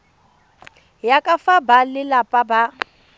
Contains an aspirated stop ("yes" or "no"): no